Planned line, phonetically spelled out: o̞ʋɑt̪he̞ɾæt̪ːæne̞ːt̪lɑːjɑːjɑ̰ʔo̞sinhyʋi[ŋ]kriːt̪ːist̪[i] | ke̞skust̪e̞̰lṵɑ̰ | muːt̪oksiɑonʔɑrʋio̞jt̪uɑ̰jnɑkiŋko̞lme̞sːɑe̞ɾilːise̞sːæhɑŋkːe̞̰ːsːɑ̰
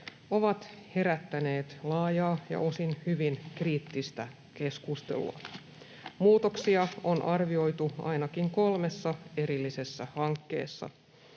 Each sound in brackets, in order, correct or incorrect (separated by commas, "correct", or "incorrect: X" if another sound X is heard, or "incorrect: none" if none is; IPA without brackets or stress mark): incorrect: n, incorrect: æ